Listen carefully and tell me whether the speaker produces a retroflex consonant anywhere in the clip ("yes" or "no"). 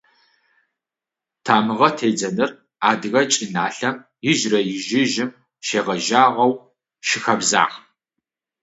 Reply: no